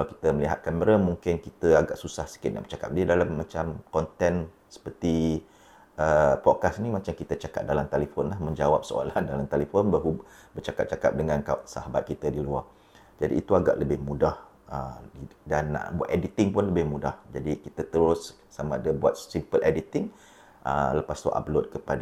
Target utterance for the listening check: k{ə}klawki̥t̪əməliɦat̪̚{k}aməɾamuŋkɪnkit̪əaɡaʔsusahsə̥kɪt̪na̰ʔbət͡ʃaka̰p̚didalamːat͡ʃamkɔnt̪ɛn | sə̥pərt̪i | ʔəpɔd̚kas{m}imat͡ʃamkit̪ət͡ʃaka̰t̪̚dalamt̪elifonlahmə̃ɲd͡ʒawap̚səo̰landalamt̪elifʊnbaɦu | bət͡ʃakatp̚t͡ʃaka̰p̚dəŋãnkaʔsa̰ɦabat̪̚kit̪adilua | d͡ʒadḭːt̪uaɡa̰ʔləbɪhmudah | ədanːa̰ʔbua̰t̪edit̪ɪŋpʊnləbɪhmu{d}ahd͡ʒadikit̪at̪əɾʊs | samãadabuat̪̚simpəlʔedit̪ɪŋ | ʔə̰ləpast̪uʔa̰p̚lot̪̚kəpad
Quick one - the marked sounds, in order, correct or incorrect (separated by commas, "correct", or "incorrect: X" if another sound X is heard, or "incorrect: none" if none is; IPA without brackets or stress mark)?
incorrect: a, correct, incorrect: n, correct